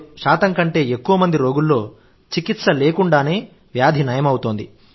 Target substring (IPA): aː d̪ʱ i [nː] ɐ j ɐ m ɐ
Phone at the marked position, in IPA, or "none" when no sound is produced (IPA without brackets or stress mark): n